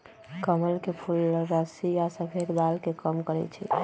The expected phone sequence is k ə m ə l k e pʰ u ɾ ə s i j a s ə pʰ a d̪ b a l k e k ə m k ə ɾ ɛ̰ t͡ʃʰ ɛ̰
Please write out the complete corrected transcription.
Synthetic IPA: k ə m ə l k e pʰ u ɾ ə s i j a s ə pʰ e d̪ b a l k e k ə m k ə ɾ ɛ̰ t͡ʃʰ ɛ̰